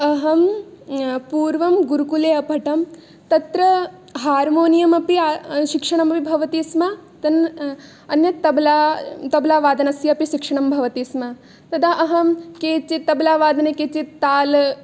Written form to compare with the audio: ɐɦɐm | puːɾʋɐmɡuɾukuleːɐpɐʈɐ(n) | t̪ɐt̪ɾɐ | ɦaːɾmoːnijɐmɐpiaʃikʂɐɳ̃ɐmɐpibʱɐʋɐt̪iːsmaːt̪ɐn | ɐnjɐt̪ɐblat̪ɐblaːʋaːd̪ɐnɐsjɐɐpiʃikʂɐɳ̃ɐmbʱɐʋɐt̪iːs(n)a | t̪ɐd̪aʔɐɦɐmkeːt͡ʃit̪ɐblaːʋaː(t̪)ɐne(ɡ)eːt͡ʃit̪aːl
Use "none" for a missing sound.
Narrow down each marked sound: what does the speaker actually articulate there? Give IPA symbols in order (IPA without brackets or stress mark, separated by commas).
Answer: m, m, d̪, k